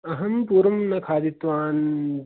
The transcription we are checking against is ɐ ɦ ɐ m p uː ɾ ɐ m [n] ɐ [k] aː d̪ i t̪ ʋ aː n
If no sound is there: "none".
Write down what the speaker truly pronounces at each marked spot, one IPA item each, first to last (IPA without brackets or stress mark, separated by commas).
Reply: n, kʰ